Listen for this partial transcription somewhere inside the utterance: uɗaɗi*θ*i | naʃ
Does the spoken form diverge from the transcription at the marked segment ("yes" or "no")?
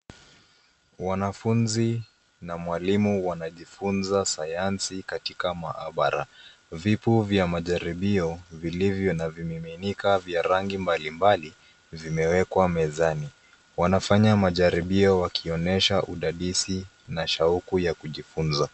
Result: yes